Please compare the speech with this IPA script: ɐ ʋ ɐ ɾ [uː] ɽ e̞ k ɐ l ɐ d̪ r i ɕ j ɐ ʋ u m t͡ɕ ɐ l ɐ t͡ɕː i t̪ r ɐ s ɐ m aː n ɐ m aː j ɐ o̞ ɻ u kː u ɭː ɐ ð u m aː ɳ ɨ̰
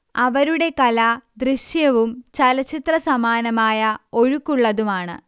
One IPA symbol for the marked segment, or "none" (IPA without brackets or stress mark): u